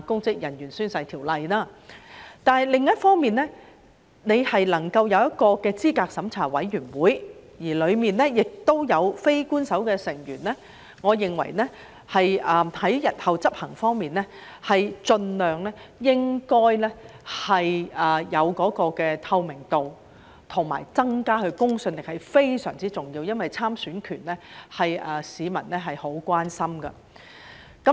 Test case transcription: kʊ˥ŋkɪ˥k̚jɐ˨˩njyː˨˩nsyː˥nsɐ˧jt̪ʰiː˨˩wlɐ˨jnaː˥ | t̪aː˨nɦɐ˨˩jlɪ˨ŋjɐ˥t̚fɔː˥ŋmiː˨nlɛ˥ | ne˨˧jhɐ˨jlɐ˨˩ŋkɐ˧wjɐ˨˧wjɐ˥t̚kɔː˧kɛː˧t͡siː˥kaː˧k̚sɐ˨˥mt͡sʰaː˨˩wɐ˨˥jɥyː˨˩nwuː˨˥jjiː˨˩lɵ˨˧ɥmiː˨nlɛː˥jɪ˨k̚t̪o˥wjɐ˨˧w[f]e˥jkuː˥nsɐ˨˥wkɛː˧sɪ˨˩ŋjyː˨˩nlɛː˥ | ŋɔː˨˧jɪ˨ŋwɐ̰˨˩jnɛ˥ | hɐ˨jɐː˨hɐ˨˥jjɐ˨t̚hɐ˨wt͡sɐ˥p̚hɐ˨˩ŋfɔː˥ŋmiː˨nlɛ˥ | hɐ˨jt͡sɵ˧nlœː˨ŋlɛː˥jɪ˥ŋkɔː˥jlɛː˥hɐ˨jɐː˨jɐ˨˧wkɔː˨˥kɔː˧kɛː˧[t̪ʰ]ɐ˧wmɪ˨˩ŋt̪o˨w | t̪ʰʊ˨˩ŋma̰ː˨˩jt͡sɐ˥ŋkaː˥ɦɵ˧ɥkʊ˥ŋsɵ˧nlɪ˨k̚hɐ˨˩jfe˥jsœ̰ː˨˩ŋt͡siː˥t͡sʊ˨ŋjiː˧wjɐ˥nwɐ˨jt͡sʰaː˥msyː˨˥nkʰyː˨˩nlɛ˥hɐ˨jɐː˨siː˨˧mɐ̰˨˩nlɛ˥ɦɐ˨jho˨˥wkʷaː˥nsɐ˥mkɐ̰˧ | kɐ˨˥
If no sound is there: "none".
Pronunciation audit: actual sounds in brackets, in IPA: f, t̪ʰ

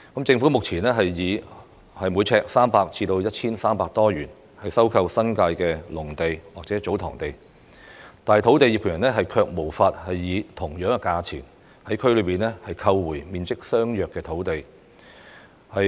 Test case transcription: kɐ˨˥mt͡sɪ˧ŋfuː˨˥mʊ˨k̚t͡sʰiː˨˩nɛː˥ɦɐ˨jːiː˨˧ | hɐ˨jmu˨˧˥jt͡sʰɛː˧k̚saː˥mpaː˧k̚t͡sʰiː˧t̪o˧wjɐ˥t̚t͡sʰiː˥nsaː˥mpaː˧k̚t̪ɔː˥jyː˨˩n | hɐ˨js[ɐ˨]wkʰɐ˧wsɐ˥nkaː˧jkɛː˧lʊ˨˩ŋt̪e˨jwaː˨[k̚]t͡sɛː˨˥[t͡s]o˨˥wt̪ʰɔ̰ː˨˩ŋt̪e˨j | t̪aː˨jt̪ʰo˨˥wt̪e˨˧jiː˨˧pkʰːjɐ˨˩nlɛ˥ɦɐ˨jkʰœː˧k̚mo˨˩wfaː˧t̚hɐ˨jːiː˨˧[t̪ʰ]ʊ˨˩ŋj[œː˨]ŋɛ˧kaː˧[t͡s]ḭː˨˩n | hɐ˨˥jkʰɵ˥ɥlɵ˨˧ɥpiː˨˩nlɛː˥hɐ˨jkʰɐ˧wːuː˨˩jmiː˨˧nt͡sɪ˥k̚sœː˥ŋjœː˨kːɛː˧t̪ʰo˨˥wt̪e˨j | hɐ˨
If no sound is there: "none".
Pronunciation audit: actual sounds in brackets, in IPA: ɐ˥, k̚, t͡s, t̪ʰ, œː˨˥, t͡sʰ

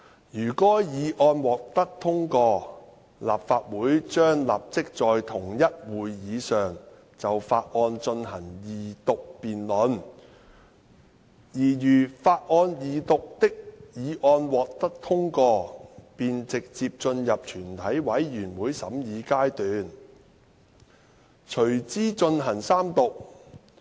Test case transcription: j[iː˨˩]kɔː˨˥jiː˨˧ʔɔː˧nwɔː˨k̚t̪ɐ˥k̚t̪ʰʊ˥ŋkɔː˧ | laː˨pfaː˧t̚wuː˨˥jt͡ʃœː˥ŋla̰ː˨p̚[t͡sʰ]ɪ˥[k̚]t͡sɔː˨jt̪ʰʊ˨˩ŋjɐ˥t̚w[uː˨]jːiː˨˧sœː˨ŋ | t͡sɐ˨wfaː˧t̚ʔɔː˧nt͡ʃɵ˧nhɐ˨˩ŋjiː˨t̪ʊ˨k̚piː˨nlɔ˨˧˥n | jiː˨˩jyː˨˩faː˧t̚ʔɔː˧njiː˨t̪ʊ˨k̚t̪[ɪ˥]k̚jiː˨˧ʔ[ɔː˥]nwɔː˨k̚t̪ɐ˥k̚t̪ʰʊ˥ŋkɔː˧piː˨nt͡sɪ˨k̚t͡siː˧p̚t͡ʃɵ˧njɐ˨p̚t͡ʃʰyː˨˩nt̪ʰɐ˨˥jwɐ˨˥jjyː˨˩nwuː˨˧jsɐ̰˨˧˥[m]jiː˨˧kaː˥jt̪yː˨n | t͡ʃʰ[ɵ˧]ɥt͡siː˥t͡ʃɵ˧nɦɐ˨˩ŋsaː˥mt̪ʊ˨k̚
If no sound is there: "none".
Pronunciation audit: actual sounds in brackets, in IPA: yː˨˩, t͡s, k̚, uː˨, ɪ˥, ɔː˧, m, ɵ˨˩

